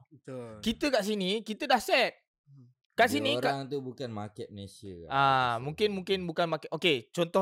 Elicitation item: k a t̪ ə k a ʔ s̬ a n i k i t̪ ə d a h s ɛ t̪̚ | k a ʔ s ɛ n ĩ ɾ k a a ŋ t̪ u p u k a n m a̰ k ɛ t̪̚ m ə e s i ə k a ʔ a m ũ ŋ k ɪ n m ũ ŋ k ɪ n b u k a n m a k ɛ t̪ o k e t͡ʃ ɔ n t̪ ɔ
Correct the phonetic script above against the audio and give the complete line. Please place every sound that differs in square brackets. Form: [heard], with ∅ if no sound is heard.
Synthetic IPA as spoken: k [i] t̪ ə k a ʔ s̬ [i] n i k i t̪ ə d a h s ɛ t̪̚ | k a ʔ s [i] n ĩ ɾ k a a ŋ t̪ u [b] u k a n m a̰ k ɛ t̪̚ m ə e s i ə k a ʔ a m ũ ŋ k ɪ n m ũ ŋ k ɪ n b u k a n m a k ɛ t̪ o k e t͡ʃ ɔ n t̪ ɔ